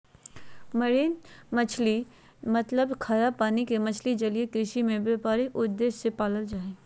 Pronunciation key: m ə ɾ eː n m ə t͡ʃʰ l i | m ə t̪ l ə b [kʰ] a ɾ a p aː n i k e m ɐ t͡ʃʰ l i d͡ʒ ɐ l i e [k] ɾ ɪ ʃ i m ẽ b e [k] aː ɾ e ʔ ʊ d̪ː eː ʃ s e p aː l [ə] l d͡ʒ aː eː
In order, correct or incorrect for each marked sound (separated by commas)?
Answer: correct, correct, incorrect, correct